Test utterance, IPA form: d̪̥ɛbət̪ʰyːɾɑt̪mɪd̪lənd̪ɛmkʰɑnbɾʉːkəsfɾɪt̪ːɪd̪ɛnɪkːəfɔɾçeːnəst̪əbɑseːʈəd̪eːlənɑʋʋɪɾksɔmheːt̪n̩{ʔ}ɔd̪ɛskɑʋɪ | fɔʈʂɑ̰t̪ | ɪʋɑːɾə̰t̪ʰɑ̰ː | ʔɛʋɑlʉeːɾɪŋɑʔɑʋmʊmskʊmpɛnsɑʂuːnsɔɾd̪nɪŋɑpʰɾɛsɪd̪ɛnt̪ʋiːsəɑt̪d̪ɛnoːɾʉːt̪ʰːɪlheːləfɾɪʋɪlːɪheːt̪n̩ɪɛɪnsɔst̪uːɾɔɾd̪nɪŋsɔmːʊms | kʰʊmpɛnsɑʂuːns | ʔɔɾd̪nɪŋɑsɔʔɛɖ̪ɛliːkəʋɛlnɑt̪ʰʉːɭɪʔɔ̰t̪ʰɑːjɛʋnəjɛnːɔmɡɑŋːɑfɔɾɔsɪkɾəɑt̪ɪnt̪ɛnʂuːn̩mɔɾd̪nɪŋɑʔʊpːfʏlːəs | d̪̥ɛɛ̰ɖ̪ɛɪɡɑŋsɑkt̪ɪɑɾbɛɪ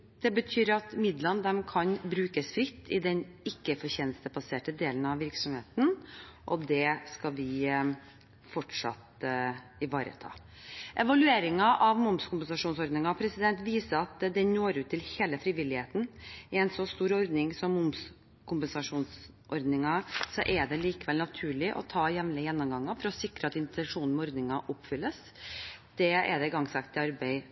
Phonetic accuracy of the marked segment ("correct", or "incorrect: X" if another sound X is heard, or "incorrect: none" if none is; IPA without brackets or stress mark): correct